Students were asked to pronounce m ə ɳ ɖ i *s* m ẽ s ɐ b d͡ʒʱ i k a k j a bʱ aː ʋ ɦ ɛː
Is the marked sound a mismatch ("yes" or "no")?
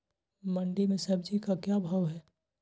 yes